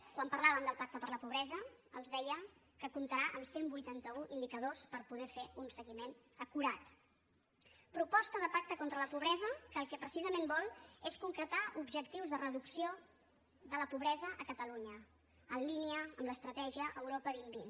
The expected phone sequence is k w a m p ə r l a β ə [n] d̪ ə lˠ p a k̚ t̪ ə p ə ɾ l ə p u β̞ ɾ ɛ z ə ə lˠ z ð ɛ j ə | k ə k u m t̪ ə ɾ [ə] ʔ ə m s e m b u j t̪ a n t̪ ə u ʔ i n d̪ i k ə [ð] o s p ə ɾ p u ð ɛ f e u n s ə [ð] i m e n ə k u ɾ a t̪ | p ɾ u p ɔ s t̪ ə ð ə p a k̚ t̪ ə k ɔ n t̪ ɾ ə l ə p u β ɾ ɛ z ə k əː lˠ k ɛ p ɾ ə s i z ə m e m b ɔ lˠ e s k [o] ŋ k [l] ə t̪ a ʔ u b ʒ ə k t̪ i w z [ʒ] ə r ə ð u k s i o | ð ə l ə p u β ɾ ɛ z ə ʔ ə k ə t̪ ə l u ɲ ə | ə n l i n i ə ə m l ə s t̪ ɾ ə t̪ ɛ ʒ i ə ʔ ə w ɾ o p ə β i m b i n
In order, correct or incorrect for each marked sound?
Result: incorrect, incorrect, correct, incorrect, incorrect, incorrect, incorrect

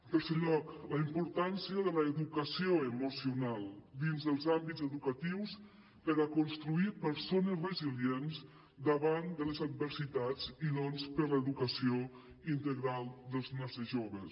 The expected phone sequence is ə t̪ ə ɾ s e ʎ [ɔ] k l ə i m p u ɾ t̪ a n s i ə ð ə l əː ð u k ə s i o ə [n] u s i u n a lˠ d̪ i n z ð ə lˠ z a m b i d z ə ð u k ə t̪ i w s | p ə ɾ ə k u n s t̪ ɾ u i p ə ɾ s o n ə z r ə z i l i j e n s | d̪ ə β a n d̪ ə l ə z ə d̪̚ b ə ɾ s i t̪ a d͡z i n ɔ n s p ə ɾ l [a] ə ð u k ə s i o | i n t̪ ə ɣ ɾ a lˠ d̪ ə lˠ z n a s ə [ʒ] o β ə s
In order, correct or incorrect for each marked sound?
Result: correct, incorrect, incorrect, correct

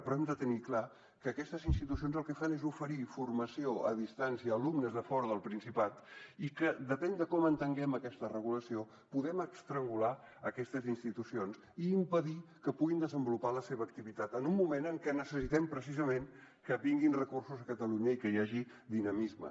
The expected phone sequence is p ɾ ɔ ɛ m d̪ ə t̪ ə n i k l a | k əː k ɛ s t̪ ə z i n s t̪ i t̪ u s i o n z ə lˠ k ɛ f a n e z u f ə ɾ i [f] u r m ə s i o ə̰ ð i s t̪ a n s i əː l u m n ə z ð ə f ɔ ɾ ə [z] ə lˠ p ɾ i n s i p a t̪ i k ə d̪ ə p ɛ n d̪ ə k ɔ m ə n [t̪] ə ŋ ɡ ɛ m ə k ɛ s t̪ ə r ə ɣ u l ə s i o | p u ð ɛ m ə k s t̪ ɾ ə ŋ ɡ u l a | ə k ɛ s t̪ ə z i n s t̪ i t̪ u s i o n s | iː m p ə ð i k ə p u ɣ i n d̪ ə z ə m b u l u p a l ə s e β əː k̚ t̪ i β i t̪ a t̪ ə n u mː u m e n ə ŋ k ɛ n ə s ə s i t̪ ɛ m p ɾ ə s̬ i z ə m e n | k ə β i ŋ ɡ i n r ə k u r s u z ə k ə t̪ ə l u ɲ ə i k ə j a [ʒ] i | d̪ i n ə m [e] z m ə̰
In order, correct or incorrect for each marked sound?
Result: correct, incorrect, correct, correct, incorrect

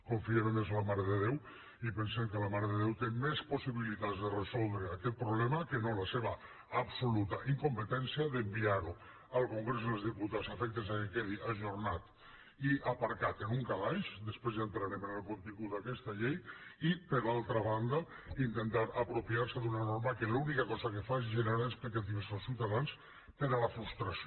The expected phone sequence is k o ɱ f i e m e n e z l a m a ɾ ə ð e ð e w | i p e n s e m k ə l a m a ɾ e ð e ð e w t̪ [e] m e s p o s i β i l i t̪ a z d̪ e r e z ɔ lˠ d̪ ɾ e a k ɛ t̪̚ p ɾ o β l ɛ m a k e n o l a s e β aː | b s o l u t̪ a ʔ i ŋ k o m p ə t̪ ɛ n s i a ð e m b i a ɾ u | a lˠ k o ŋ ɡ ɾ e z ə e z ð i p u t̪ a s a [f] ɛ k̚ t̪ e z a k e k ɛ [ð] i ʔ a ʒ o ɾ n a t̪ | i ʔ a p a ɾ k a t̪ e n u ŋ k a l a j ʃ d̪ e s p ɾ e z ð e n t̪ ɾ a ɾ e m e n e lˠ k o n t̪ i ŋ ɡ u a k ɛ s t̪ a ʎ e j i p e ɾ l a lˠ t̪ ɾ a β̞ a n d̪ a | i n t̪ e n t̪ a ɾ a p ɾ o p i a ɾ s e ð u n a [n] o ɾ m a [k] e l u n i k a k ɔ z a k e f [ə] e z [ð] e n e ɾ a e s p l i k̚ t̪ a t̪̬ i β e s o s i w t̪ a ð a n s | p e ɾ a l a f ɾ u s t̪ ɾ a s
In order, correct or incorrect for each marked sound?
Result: correct, correct, correct, correct, correct, incorrect, incorrect

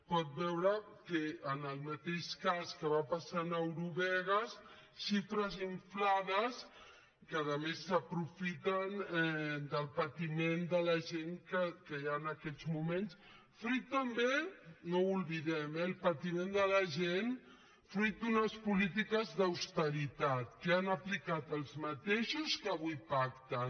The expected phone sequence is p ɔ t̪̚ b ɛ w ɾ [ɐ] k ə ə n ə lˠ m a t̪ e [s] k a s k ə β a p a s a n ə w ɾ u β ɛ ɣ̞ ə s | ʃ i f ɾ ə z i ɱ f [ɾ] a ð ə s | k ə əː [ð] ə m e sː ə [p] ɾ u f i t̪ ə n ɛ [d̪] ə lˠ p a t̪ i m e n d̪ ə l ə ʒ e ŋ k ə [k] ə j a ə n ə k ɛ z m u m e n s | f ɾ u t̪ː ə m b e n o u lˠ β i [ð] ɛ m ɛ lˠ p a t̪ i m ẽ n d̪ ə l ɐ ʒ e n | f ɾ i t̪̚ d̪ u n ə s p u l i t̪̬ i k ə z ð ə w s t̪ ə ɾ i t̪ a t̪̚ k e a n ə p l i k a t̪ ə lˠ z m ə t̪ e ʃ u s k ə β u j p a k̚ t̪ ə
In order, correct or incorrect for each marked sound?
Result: incorrect, incorrect, incorrect, correct, correct, correct, correct, correct

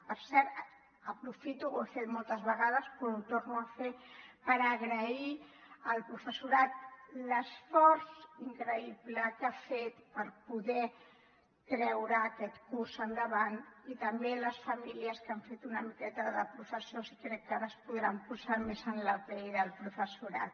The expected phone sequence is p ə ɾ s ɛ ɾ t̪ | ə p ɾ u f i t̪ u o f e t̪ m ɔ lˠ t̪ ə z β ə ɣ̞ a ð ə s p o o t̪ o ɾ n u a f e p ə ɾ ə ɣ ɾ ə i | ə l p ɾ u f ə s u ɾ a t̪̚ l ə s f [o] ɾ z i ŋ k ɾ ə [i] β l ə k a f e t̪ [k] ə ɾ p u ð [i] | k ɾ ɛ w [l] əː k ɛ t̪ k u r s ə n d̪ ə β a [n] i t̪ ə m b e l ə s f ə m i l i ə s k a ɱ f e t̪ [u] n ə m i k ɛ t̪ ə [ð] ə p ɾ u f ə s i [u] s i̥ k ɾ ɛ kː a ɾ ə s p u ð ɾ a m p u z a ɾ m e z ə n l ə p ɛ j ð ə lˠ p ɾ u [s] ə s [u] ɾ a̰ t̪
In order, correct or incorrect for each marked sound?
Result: incorrect, correct, incorrect, incorrect, incorrect, correct, correct, correct, incorrect, incorrect, correct

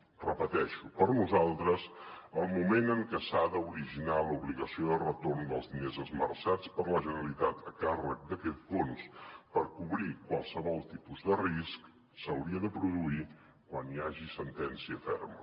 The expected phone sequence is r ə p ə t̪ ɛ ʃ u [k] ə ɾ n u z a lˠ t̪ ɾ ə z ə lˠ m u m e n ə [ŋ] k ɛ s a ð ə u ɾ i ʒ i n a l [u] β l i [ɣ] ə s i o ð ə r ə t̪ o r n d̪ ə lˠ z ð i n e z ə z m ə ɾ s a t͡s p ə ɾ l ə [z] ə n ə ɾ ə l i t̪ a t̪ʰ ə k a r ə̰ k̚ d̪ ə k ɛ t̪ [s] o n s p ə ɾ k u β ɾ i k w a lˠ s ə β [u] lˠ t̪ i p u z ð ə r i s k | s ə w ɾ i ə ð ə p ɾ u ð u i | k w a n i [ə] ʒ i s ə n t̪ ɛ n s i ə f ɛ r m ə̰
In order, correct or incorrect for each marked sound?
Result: incorrect, correct, correct, correct, incorrect, incorrect, incorrect, incorrect

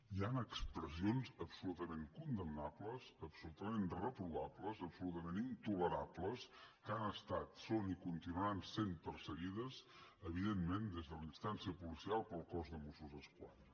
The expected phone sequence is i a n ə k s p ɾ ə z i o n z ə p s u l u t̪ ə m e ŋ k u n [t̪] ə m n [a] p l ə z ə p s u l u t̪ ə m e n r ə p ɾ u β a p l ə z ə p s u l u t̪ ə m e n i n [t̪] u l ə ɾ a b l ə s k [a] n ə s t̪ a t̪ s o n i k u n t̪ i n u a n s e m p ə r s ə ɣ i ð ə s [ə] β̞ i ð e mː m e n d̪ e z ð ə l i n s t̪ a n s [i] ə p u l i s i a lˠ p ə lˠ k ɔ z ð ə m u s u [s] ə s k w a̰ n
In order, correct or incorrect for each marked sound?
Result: incorrect, correct, correct, correct, correct, correct, incorrect

